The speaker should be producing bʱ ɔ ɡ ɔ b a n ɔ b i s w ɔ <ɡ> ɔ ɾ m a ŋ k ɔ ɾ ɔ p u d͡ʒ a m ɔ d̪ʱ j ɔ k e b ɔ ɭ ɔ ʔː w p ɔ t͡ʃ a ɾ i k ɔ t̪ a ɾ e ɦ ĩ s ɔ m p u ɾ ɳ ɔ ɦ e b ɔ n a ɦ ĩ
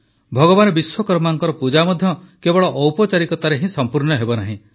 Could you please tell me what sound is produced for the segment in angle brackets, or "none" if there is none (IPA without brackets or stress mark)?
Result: k